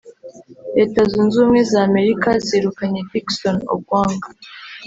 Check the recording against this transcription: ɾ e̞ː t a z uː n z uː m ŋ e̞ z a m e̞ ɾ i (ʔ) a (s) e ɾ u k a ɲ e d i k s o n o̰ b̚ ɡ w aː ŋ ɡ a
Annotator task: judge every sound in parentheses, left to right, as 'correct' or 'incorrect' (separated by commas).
incorrect, incorrect